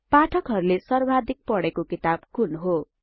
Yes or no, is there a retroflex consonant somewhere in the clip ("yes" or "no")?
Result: yes